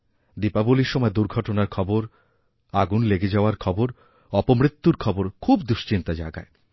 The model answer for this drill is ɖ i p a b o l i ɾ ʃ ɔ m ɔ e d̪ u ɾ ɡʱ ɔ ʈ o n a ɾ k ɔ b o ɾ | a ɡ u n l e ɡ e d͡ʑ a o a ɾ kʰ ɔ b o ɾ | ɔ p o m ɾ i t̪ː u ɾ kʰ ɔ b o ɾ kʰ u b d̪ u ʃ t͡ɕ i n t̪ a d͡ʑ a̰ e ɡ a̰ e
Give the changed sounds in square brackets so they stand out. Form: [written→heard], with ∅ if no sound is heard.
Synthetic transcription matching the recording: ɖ i p a b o l i ɾ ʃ ɔ m ɔ e d̪ u ɾ ɡʱ ɔ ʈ o n a ɾ [k→kʰ] ɔ b o ɾ | a ɡ u n l e ɡ e d͡ʑ a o a ɾ kʰ ɔ b o ɾ | ɔ p o m ɾ i t̪ː u ɾ kʰ ɔ b o ɾ kʰ u b d̪ u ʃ t͡ɕ i n t̪ a d͡ʑ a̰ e ɡ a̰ e